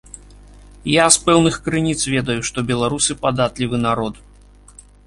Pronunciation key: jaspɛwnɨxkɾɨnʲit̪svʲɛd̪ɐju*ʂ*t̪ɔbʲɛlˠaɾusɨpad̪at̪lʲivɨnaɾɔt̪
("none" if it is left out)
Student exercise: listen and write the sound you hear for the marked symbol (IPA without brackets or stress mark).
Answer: ʂ